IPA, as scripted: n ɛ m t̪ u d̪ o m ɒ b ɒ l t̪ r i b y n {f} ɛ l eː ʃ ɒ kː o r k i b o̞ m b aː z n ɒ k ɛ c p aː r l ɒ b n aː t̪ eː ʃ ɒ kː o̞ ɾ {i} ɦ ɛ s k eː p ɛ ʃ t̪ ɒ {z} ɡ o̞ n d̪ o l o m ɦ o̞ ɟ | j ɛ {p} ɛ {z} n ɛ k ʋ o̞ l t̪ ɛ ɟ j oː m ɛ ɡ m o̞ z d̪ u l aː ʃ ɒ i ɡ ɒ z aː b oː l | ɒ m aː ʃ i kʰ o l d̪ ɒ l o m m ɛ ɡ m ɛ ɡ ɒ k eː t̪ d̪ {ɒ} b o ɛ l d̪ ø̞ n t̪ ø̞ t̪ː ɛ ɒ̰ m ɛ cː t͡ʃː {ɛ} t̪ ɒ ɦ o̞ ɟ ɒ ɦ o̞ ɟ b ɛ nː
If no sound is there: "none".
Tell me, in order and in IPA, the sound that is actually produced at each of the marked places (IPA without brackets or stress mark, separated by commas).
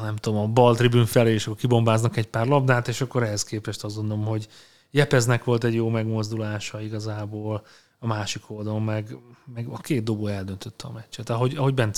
f, ɛ, z, p, z, o, ɛ